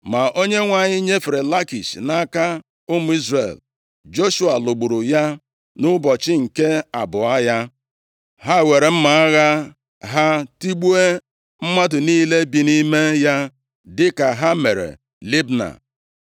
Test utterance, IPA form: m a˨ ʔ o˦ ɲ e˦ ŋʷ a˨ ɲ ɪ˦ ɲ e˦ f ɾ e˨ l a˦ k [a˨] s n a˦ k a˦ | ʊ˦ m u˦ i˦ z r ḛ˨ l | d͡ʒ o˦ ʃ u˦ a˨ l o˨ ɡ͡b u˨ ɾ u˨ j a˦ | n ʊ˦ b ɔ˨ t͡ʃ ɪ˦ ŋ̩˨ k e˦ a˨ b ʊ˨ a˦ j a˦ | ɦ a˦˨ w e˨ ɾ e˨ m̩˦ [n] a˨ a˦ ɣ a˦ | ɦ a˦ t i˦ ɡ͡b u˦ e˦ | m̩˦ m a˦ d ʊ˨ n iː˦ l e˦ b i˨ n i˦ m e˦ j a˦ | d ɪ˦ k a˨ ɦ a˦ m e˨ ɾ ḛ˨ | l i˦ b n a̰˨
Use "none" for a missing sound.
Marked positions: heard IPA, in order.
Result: i˨, m

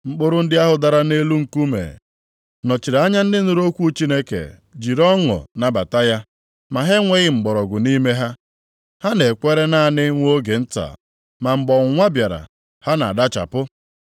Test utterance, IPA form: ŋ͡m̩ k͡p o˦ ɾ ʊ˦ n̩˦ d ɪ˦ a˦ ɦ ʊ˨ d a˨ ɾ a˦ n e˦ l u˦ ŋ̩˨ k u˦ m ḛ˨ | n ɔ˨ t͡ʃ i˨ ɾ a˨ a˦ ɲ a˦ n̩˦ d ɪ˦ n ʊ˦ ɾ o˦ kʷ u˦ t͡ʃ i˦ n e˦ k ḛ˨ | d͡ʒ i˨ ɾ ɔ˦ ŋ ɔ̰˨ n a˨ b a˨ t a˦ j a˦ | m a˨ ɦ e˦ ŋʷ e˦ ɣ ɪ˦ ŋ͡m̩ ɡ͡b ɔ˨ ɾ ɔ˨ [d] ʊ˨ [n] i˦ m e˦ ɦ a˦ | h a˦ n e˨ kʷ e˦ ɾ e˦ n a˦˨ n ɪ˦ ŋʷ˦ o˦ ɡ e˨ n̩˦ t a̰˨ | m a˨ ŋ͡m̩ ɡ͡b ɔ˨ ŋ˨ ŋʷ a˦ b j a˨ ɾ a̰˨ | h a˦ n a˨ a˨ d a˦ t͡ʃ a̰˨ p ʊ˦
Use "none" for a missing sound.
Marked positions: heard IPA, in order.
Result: ɡ, n

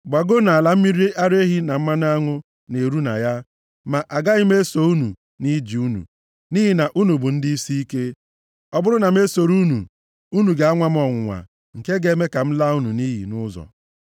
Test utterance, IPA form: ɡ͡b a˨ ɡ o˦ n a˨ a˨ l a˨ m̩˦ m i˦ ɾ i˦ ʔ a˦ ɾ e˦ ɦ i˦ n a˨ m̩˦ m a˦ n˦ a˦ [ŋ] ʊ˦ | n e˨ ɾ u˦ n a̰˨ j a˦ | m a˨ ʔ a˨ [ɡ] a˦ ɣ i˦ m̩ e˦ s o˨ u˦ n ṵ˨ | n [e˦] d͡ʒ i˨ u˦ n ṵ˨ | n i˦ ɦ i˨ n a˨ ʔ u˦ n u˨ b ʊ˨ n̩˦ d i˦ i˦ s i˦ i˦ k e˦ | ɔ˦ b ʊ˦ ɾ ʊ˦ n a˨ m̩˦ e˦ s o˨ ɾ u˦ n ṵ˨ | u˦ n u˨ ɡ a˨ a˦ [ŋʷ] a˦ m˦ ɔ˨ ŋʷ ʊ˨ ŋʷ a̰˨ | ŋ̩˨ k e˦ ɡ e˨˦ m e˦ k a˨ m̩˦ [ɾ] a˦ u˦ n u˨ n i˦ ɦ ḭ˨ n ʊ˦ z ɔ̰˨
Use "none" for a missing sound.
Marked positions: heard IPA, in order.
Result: ŋ, ɡ, i˦, ŋʷ, l

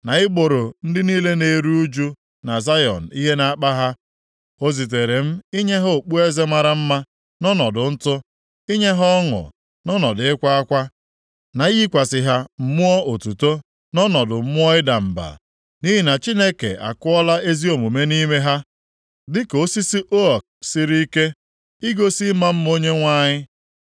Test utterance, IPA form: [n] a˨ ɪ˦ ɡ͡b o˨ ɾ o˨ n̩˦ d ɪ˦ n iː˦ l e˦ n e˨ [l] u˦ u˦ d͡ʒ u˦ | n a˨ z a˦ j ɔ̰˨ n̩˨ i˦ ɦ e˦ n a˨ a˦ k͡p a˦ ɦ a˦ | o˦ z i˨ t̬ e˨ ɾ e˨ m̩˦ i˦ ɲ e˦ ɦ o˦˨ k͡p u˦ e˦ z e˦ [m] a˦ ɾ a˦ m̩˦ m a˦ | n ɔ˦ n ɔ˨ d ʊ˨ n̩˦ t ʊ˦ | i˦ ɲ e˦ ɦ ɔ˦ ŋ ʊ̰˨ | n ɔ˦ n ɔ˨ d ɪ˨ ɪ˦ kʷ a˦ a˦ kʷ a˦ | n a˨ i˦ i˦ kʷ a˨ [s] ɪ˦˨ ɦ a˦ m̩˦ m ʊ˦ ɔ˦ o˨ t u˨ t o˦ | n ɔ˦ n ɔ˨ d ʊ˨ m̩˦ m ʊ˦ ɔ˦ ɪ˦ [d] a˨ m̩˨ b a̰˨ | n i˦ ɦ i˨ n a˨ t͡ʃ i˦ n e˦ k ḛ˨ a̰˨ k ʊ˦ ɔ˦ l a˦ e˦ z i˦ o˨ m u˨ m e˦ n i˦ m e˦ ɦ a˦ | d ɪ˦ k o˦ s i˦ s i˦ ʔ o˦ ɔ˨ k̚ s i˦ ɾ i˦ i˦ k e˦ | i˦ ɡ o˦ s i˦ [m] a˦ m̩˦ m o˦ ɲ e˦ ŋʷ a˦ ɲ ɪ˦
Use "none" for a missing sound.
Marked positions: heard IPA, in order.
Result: n, ɾ, m, s, d, m

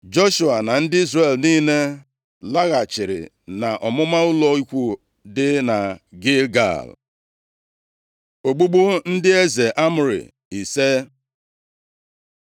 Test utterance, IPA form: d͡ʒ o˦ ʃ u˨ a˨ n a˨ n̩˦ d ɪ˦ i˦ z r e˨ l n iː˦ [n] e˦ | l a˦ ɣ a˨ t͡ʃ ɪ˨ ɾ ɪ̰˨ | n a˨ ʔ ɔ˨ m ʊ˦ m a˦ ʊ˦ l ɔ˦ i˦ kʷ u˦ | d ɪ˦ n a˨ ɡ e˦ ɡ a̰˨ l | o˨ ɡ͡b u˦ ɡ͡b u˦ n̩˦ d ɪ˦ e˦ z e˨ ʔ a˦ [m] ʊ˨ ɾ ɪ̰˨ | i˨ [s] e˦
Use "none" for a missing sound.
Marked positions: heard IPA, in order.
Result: n, m, s

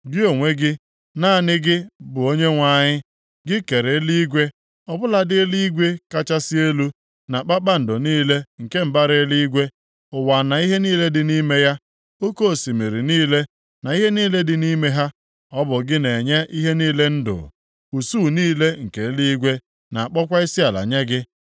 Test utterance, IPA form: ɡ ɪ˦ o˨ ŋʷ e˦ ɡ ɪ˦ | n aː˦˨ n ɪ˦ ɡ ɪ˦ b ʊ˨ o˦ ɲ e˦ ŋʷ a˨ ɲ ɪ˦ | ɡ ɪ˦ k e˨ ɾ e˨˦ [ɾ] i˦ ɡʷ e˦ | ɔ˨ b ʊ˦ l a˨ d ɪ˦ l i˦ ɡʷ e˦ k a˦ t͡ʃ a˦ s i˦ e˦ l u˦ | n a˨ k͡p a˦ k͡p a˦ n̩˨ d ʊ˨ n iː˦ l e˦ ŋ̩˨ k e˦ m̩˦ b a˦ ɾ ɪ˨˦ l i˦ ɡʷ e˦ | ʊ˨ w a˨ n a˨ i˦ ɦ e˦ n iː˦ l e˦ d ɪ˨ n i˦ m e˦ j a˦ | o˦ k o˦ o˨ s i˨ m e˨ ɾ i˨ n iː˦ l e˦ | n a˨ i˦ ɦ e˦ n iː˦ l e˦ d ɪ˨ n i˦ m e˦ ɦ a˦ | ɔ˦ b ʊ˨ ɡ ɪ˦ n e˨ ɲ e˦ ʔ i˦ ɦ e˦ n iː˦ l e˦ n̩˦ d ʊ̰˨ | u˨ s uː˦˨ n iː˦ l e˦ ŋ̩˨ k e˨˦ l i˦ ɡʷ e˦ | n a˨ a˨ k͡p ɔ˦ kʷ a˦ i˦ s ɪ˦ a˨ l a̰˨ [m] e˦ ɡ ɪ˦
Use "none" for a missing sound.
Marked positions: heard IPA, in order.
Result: l, ɲ

